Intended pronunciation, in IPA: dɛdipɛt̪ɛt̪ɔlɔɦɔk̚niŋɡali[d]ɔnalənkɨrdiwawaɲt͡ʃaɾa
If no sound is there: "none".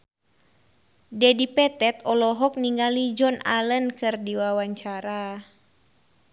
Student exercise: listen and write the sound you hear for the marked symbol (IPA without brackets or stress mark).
d͡ʒ